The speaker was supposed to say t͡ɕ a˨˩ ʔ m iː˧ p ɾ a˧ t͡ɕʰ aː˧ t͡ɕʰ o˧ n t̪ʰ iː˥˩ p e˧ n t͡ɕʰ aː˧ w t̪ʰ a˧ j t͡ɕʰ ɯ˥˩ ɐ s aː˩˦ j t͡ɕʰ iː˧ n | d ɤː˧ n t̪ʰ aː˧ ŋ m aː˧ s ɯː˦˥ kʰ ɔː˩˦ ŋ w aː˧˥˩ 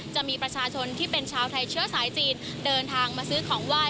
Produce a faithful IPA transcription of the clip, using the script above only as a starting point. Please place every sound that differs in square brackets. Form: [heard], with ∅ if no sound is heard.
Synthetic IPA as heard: t͡ɕ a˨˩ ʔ m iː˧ p ɾ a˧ t͡ɕʰ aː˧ t͡ɕʰ o˧ n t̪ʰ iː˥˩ p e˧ n t͡ɕʰ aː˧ w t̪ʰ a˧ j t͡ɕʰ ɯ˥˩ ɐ s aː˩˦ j [t͡ɕ] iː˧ n | d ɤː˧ n t̪ʰ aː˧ ŋ m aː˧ s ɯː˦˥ kʰ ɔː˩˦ ŋ w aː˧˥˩